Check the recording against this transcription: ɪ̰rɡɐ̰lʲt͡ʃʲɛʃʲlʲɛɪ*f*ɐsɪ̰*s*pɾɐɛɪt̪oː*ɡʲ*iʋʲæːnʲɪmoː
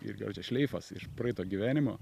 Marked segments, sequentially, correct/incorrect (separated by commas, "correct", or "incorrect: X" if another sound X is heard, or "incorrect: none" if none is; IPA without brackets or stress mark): correct, incorrect: ʃ, correct